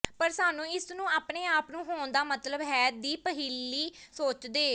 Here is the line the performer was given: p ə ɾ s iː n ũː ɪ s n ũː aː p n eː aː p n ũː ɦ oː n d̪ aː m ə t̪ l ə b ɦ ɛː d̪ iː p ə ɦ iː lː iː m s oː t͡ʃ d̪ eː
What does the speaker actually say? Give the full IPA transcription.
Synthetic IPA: p ə ɾ s aː n ũː ɪ s n ũː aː p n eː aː p n ũː ɦ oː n d̪ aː m ə t̪ l ə b ɦ ɛː d̪ iː p ə ɦ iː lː iː s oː t͡ʃ d̪ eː